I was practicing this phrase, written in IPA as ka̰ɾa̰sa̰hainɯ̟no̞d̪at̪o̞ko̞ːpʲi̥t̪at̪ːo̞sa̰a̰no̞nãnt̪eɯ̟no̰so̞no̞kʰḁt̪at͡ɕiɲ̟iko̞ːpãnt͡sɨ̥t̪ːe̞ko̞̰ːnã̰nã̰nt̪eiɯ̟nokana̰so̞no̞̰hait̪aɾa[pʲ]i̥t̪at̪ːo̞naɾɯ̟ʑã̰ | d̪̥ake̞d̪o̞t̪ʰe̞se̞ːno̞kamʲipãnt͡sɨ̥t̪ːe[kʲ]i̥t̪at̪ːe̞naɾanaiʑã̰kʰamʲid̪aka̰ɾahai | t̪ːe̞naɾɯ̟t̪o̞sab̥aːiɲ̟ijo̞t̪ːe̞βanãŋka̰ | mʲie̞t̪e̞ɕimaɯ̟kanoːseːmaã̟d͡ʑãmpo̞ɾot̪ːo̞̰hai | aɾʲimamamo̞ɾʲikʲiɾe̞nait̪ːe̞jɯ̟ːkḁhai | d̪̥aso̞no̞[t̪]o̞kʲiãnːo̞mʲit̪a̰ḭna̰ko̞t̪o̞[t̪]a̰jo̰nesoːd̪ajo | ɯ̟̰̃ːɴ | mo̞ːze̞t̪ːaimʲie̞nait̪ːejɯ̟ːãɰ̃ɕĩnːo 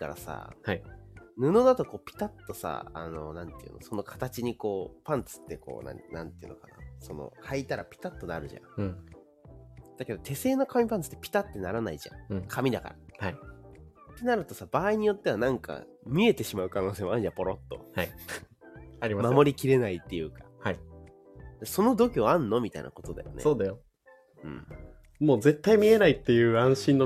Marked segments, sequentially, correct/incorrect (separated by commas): correct, incorrect, incorrect, incorrect